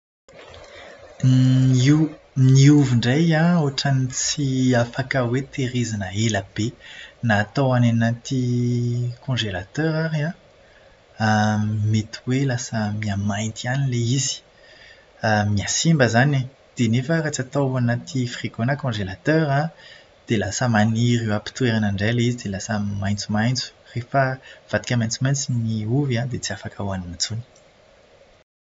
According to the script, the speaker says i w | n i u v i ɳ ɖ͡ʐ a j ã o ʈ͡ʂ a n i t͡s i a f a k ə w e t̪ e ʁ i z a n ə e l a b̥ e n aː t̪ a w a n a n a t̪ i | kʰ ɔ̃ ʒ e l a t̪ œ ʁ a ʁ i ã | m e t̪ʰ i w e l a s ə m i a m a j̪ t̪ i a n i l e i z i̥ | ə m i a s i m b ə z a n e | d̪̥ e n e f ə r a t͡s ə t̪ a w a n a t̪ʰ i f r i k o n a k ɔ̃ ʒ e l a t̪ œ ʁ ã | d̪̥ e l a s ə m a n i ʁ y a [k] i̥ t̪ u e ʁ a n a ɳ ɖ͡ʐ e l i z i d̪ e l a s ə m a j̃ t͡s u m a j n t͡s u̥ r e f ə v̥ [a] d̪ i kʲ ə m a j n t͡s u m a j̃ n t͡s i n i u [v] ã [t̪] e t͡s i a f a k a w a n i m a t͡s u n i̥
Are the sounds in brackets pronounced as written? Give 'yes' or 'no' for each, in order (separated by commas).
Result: no, yes, yes, no